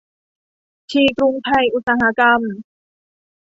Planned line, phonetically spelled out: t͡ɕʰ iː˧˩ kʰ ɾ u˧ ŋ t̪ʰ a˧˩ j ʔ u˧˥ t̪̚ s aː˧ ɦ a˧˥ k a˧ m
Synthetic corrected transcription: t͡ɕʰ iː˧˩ k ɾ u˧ ŋ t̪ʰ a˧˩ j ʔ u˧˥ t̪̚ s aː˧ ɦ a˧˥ k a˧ m